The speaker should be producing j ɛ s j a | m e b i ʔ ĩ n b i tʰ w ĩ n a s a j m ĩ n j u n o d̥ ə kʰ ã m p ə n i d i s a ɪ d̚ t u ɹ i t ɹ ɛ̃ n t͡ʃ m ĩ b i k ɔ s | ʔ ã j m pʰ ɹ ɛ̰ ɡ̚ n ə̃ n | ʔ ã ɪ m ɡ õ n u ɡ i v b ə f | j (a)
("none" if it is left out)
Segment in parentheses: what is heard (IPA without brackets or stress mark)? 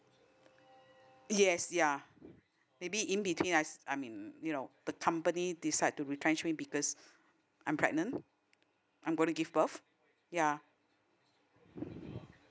a